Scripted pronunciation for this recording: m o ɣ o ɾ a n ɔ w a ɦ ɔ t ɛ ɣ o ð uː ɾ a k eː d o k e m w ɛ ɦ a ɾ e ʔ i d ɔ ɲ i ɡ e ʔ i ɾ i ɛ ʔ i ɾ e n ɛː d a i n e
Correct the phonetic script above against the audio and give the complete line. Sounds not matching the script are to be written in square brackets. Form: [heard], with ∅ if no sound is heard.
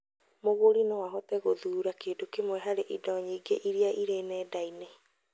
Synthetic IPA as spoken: m o ɣ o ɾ [i] n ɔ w a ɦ ɔ t ɛ ɣ o ð uː ɾ a k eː d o k e m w ɛ ɦ a ɾ e ʔ i d ɔ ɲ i ɡ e ʔ i ɾ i [a] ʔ i ɾ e n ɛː d a i n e